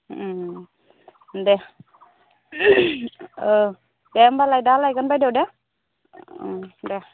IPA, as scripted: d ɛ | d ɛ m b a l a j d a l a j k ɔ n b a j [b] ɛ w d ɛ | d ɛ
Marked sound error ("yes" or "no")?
yes